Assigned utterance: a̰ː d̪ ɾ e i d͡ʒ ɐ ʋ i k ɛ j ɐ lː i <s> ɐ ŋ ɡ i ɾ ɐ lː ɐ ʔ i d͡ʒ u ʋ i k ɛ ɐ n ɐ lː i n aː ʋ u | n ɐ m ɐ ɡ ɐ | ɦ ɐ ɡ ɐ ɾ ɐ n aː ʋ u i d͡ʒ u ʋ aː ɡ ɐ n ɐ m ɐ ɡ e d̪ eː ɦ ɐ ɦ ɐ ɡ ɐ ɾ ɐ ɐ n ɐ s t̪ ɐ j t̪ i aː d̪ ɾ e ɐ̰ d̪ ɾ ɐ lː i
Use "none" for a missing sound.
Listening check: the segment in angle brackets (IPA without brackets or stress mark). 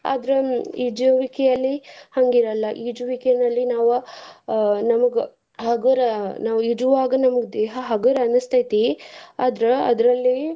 h